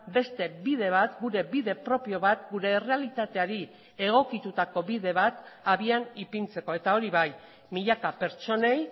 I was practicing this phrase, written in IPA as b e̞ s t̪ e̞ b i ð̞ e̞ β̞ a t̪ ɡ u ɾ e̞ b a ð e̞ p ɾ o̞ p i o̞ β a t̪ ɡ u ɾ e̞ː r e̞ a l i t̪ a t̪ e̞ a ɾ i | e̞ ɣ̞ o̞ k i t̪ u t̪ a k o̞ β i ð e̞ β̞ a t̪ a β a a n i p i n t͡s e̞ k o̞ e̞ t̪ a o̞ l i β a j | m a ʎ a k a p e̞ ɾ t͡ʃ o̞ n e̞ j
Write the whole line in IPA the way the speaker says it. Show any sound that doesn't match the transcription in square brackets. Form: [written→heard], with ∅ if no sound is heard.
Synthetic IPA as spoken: b e̞ s t̪ e̞ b i ð̞ e̞ β̞ a t̪ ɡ u ɾ e̞ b [a→i] ð e̞ p ɾ o̞ p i o̞ β a t̪ ɡ u ɾ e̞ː r e̞ a l i t̪ a t̪ e̞ a ɾ i | e̞ ɣ̞ o̞ k i t̪ u t̪ a k o̞ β i ð e̞ β̞ a t̪ a β [a→i] a n i p i n t͡s e̞ k o̞ e̞ t̪ a o̞ [l→ɾ] i β a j | m [a→i] ʎ a k a p e̞ ɾ t͡ʃ o̞ n e̞ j